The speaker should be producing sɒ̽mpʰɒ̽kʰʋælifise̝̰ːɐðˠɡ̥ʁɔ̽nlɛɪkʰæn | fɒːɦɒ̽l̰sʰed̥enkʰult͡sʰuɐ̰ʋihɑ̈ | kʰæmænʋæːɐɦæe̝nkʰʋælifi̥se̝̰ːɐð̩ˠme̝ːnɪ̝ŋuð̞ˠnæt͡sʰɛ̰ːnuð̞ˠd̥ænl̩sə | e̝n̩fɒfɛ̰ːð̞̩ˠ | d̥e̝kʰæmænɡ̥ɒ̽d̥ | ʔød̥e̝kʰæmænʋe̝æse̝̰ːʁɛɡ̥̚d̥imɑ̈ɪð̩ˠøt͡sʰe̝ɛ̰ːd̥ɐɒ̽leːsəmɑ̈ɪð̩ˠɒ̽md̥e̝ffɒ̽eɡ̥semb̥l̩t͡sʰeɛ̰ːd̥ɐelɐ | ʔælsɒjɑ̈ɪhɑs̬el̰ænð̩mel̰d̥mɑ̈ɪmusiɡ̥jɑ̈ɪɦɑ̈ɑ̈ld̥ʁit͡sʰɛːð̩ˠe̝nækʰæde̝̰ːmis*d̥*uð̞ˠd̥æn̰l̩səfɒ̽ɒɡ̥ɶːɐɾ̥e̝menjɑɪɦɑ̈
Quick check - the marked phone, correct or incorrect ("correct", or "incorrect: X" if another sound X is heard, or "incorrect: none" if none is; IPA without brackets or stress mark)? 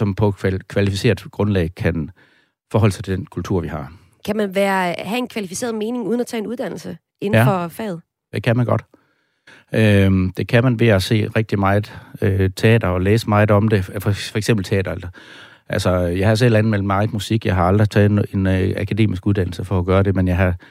incorrect: ɡ̥